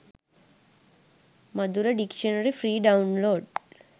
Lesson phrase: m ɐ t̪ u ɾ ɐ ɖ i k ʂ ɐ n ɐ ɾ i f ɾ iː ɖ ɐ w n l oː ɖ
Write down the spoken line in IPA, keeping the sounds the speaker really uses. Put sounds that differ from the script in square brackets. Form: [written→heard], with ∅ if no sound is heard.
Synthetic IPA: m ɐ [t̪→d̪] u ɾ ɐ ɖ i k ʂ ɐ n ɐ ɾ i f ɾ iː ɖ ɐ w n l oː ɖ

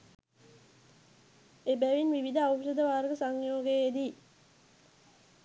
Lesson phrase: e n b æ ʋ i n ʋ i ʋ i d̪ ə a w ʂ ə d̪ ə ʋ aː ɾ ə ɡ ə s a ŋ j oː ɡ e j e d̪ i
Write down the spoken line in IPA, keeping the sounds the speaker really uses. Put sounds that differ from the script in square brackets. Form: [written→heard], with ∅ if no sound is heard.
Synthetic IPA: e [n→∅] b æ ʋ i n ʋ i ʋ i d̪ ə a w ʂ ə d̪ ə ʋ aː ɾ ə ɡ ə s a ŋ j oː ɡ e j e d̪ i

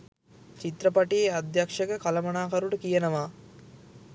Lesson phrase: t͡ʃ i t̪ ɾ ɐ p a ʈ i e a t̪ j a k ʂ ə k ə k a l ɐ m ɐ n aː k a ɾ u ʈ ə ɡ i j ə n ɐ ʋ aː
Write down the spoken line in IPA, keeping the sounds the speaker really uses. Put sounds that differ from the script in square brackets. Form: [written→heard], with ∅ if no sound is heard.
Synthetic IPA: t͡ʃ i t̪ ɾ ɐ p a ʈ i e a [t̪→d̪] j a k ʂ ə k ə k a l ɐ m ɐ n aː k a ɾ u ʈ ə [ɡ→k] i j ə n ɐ ʋ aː

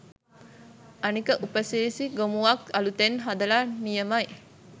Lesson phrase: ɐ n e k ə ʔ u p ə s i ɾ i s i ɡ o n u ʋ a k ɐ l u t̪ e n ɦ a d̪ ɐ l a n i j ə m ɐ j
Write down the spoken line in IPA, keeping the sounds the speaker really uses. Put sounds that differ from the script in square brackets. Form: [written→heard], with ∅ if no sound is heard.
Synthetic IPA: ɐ n [e→i] k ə ʔ u p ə s i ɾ i s i ɡ o [n→m] u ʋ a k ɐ l u t̪ e n ɦ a d̪ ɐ l a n i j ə m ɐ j

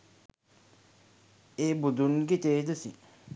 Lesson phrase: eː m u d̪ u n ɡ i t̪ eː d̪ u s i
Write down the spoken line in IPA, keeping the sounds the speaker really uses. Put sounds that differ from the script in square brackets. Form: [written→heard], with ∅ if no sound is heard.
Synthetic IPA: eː [m→b] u d̪ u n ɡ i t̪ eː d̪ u s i

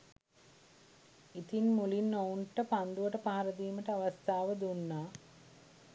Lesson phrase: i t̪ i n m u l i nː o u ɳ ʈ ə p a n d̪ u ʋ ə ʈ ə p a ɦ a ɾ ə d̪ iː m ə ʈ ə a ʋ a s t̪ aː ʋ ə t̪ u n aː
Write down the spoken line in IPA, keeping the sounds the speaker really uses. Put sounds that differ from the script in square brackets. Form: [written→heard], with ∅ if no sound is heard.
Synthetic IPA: i t̪ i n m u l i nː o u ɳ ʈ ə p a n d̪ u ʋ ə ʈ ə p a ɦ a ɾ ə d̪ iː m ə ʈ ə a ʋ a s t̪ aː ʋ ə [t̪→d̪] u [n→nː] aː

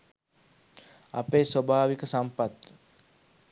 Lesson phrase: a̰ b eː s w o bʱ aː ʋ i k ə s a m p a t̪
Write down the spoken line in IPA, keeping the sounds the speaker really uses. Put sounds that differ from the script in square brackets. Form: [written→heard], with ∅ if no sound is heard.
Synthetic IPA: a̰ [b→p] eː s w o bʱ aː ʋ i k ə s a m p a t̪

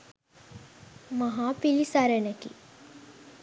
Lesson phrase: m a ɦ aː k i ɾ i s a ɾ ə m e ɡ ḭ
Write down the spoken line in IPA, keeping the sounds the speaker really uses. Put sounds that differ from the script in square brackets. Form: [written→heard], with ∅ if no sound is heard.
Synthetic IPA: m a ɦ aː [k→p] i [ɾ→l] i s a ɾ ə [m→n] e [ɡ→k] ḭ

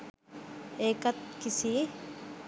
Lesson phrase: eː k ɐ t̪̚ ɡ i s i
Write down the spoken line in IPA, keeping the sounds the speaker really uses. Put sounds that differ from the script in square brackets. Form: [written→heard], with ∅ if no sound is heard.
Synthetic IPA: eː k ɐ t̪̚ [ɡ→k] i s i

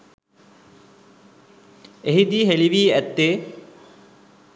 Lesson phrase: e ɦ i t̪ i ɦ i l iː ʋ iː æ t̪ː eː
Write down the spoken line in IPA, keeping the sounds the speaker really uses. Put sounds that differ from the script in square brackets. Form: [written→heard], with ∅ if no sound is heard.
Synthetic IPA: e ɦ i [t̪→d̪] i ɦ [i→e] l [iː→i] ʋ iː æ t̪ː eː

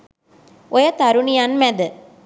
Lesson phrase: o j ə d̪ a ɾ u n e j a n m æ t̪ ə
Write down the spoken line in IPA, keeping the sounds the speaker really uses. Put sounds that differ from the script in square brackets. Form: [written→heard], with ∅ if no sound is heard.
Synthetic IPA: o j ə [d̪→t̪] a ɾ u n [e→i] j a n m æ [t̪→d̪] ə

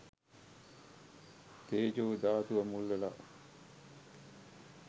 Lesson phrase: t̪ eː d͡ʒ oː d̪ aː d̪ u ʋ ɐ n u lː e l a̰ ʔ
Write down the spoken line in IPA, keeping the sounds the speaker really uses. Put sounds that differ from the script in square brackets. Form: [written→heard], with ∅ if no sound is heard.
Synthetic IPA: t̪ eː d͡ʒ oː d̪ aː [d̪→t̪] u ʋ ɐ [n→m] u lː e l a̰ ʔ

